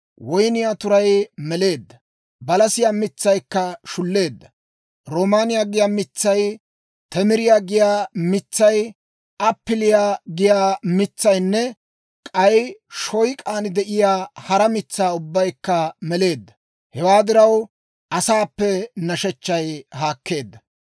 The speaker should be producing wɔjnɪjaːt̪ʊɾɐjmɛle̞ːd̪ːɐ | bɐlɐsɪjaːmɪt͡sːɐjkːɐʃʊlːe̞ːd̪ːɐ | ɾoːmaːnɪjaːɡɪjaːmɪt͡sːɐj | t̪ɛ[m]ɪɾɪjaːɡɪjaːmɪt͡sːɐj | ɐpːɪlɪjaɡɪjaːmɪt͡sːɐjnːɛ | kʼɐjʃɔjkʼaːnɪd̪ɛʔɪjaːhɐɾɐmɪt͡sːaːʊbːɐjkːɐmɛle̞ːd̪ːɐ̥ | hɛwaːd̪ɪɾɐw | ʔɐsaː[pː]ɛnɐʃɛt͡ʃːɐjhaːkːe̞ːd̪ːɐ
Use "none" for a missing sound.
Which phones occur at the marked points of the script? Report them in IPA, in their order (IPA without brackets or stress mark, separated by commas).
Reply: m, pː